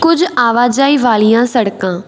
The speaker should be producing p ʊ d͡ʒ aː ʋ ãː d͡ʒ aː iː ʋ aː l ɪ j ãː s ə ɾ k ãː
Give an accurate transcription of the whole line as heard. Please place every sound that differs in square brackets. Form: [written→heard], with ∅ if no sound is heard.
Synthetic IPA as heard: [p→k] ʊ d͡ʒ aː ʋ [ãː→aː] d͡ʒ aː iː ʋ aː l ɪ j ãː s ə [ɾ→ɽ] k ãː